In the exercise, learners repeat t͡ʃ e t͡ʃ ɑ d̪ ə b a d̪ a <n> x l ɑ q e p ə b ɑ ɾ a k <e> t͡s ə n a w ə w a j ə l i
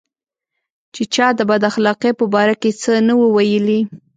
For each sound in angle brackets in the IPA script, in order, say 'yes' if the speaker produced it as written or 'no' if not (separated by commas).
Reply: no, yes